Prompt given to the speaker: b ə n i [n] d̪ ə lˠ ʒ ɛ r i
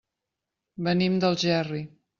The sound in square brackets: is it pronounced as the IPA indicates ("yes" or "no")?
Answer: no